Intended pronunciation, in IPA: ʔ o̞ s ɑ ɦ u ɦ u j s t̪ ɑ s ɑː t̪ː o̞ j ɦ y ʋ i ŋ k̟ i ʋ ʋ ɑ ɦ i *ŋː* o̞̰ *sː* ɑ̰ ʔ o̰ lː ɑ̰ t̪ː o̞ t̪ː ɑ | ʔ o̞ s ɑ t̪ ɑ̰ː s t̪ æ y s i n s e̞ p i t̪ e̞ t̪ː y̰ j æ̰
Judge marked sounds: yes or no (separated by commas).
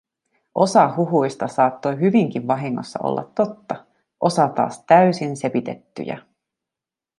yes, yes